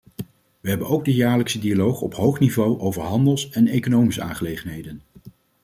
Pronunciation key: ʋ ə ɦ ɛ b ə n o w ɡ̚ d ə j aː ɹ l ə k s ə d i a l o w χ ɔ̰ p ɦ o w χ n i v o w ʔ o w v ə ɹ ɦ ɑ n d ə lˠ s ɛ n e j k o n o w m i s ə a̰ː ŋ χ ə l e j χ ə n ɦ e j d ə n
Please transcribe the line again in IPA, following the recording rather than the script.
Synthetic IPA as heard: ʋ ə ɦ ɛ b ə n o w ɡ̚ d ə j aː ɹ l ə k s ə d i a l o w χ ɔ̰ p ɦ o w χ n i v o w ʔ o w v ə ɹ ɦ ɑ n d ə lˠ s ɛ n e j k o n o w m i s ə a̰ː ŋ χ ə l e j χ ə n ɦ e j d ə n